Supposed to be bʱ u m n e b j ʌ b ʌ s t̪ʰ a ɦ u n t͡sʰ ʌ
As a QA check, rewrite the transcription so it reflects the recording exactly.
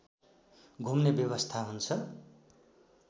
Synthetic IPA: ɡʱ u m n e b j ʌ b ʌ s t̪ʰ a ɦ u n t͡sʰ ʌ